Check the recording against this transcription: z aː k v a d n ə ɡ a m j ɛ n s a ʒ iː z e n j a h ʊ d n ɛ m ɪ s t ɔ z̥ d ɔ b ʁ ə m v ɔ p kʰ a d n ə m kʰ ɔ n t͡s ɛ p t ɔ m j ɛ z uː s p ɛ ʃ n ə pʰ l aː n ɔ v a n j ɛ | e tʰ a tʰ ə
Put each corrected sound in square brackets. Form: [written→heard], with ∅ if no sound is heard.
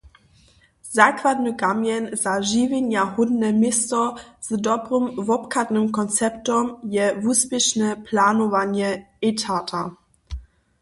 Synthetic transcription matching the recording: z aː k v a d n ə ɡ a m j ɛ n [s→z] a ʒ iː [z→v] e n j a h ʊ d n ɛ m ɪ s t ɔ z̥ d ɔ b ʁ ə m v ɔ p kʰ a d n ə m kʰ ɔ n t͡s ɛ p t ɔ m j ɛ [z→v] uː s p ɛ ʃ n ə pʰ l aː n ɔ v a n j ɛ | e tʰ a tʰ [ə→a]